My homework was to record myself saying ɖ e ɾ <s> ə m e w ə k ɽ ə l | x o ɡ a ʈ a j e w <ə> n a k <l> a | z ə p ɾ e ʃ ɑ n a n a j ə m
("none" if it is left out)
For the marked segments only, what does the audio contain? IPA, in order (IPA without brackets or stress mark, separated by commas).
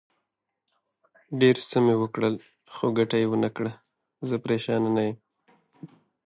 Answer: s, ə, ɽ